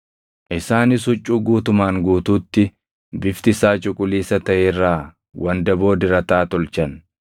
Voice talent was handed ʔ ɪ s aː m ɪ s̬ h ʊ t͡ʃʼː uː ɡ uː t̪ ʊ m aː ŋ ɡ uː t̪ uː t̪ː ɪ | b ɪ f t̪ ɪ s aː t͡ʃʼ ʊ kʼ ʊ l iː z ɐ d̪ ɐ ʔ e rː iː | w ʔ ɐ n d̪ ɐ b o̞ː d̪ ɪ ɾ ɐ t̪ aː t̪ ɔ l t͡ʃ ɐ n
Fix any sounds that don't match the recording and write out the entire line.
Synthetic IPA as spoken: ʔ ɪ s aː n ɪ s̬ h ʊ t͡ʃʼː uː ɡ uː t̪ ʊ m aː ŋ ɡ uː t̪ uː t̪ː ɪ | b ɪ f t̪ ɪ s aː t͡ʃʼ ʊ kʼ ʊ l iː s ɐ t̪ ɐ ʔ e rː aː | w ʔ ɐ n d̪ ɐ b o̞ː d̪ ɪ ɾ ɐ t̪ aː t̪ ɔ l t͡ʃ ɐ n